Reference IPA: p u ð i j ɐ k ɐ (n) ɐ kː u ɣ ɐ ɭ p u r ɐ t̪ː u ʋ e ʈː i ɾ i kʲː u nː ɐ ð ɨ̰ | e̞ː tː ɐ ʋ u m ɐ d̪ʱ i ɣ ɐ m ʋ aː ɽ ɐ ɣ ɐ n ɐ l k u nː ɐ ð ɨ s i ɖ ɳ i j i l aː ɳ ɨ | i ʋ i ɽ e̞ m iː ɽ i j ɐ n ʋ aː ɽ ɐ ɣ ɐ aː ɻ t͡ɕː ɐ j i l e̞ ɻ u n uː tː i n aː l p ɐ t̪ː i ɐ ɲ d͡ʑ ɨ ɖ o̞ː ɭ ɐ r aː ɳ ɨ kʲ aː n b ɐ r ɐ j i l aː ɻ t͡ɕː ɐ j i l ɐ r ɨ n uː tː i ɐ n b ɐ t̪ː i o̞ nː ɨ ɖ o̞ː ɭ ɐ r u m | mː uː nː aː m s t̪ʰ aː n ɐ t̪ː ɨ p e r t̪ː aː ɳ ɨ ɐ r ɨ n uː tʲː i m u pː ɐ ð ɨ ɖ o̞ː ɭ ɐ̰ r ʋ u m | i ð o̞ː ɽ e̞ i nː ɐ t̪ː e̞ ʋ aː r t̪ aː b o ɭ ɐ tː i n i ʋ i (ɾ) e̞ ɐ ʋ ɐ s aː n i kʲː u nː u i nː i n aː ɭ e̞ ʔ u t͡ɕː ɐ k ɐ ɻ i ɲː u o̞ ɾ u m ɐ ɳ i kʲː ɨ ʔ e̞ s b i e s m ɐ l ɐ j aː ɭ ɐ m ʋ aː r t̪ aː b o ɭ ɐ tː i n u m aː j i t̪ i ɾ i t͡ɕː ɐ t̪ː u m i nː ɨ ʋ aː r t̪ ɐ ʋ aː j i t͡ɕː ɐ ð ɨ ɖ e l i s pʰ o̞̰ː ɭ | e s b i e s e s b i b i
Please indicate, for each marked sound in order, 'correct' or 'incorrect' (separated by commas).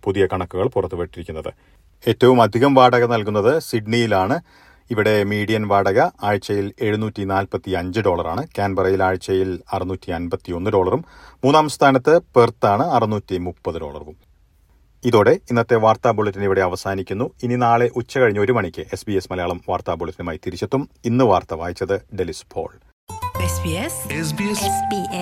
incorrect, incorrect